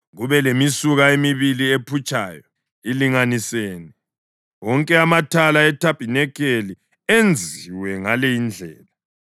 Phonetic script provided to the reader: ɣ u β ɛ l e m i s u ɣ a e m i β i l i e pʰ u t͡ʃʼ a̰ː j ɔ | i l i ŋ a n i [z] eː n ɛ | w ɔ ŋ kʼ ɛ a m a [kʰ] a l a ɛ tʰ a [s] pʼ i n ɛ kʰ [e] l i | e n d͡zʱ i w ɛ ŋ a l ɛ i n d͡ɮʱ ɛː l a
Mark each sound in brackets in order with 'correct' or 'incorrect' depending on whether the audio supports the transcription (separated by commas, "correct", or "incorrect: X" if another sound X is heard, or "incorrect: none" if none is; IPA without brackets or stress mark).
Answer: incorrect: s, incorrect: tʰ, incorrect: none, correct